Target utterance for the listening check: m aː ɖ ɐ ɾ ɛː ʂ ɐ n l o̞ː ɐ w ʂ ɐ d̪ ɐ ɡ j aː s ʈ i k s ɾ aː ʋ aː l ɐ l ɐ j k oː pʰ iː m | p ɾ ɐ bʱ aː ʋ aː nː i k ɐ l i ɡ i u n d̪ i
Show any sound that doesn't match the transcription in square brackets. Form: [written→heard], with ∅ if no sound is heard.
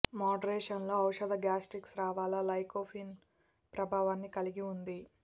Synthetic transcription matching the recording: m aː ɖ ɐ ɾ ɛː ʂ ɐ n l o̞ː ɐ w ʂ ɐ d̪ ɐ ɡ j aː s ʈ i k s ɾ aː ʋ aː l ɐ l ɐ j k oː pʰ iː [m→n] | p ɾ ɐ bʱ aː ʋ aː nː i k ɐ l i ɡ i u n d̪ i